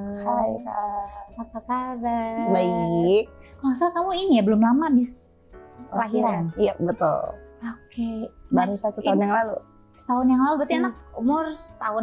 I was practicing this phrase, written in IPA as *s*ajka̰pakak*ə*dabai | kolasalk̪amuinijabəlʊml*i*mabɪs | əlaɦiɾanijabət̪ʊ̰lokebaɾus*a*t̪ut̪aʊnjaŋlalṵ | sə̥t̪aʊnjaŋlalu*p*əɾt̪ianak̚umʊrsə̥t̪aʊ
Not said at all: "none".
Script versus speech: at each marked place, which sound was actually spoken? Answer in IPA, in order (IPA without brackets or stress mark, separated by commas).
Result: h, a, a, a, b